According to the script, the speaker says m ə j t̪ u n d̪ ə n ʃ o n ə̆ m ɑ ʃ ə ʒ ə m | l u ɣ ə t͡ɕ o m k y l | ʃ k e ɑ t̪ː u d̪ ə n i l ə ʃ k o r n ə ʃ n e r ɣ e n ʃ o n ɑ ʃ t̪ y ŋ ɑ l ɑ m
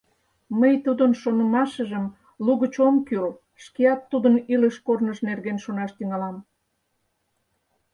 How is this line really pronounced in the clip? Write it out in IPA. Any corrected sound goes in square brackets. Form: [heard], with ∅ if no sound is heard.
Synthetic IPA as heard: m ə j t̪ u [∅] d̪ ə n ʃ o n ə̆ m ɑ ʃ ə ʒ ə m | l u ɣ ə t͡ɕ o m k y l | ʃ k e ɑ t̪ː u d̪ ə n i l ə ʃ k o r n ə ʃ n e r ɣ e n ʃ o n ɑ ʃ t̪ y ŋ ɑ l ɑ m